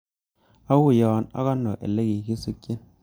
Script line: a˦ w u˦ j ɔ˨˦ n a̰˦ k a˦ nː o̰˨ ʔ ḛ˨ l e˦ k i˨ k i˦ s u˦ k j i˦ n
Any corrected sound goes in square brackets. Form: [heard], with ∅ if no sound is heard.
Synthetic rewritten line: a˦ w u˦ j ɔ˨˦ n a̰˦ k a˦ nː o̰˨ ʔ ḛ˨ l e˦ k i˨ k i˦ s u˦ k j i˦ n